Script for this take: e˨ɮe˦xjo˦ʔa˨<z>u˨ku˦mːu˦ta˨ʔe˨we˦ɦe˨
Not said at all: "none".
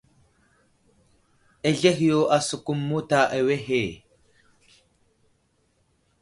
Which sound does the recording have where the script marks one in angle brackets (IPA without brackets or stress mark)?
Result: s